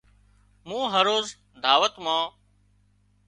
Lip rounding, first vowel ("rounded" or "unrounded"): rounded